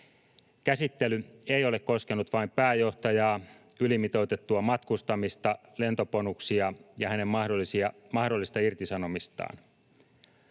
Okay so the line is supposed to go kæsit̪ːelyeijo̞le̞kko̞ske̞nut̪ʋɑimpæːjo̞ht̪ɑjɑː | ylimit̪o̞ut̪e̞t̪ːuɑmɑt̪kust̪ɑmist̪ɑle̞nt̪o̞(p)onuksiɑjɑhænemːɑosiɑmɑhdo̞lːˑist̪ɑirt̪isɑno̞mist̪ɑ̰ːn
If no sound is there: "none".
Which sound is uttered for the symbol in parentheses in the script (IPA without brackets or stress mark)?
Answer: p